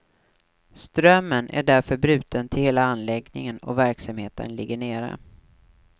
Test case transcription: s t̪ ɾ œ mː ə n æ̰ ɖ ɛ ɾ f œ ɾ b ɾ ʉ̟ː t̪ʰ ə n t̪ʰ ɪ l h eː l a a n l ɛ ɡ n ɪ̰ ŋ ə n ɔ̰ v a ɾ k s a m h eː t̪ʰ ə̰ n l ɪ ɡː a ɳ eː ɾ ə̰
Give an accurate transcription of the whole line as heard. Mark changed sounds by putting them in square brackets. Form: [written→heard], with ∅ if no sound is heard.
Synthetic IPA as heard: s t̪ ɾ œ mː ə n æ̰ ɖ [ɛ→æ] ɾ f œ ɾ b ɾ ʉ̟ː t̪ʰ ə n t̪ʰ ɪ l h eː l a a n l ɛ ɡ n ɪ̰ ŋ ə n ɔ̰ v [a→æ] ɾ k s a m h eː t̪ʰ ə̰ n l ɪ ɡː [a→ə] ɳ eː ɾ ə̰